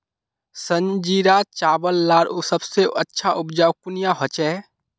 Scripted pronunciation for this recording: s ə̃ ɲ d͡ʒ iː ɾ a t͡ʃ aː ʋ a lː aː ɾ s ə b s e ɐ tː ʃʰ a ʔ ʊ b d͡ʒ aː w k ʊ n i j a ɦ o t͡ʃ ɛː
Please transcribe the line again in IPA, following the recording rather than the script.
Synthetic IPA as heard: s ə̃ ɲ d͡ʒ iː ɾ a t͡ʃ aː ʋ ə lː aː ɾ s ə b s e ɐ tː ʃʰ a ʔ ʊ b d͡ʒ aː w k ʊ n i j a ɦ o t͡ʃ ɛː